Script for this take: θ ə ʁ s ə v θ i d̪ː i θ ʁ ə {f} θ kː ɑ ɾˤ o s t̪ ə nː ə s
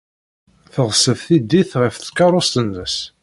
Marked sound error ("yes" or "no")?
no